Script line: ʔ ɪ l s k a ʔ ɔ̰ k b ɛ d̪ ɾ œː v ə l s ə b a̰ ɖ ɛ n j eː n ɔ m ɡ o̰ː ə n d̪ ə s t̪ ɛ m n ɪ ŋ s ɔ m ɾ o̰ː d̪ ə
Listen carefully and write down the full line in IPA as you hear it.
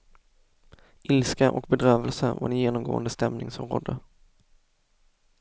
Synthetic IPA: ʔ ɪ l s k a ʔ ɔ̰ k b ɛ d̪ ɾ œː v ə l s ə v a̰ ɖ ɛ n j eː n ɔ m ɡ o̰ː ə n d̪ ə s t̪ ɛ m n ɪ ŋ s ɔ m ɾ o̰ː d̪ ə